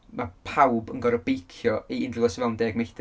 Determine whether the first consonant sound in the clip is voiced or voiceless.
voiced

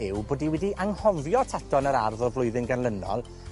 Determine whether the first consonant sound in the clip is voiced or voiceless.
voiced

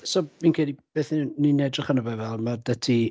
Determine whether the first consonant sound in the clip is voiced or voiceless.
voiceless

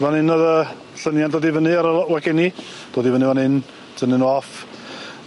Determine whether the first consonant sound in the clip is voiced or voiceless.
voiced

